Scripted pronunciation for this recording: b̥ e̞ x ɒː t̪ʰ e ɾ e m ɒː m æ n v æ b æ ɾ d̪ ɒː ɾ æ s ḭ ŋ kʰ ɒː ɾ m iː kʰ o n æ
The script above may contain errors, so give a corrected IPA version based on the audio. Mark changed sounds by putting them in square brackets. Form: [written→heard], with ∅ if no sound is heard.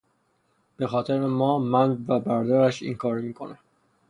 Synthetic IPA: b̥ e̞ x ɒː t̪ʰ e ɾ e m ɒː m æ n v æ b æ ɾ d̪ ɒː ɾ æ [s→ʃ] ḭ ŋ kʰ ɒː ɾ m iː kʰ o n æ